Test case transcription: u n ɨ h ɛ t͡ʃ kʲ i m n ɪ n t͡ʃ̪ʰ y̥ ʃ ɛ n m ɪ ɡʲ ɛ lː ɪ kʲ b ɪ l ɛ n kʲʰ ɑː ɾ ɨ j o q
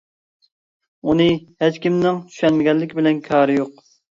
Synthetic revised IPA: u n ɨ h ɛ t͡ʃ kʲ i m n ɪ ŋ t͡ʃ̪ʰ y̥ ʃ ɛ n m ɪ ɡʲ ɛ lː ɪ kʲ b ɪ l ɛ n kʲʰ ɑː ɾ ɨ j o q